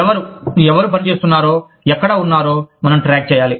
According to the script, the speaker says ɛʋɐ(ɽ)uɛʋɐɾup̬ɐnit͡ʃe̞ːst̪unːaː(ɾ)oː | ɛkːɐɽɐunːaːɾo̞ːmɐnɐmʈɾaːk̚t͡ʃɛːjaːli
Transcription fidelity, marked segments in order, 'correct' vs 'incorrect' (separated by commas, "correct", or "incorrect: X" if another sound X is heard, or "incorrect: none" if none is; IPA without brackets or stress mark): incorrect: ɾ, correct